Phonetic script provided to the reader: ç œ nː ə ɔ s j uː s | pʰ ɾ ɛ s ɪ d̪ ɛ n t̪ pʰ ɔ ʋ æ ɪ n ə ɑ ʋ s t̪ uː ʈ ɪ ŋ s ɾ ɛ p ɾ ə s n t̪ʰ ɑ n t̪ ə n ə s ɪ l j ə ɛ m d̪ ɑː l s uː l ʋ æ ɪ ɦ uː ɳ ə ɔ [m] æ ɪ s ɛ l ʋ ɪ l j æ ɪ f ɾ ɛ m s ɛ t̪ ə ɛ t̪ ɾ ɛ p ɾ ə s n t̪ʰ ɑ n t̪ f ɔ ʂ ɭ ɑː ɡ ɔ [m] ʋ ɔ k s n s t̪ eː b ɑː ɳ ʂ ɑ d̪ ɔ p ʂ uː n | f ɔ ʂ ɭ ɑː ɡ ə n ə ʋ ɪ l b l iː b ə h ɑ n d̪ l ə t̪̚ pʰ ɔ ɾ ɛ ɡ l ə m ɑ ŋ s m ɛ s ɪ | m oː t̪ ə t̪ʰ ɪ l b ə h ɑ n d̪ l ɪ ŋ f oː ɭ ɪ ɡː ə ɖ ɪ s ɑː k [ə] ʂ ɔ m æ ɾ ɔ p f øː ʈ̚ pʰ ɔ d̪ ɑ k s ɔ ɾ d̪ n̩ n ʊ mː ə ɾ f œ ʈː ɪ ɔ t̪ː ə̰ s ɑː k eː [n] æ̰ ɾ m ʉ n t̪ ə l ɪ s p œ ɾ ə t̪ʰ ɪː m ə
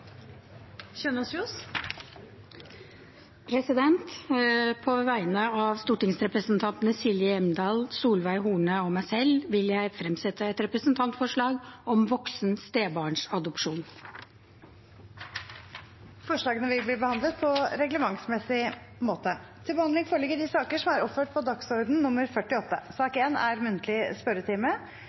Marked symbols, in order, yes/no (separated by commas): yes, yes, yes, yes